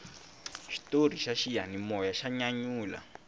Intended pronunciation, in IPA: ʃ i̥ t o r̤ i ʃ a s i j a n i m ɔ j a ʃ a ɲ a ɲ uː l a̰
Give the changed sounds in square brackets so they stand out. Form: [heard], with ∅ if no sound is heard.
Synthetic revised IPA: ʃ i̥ t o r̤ i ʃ a [ʃ] i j a n i m ɔ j a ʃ a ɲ a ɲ uː l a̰